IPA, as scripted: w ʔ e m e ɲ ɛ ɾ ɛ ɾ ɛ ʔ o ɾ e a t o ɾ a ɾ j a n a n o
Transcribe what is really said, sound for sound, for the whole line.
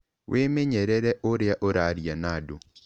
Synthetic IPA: w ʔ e m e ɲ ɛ ɾ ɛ ɾ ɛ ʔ o ɾ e a ʔ o ɾ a ɾ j a n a d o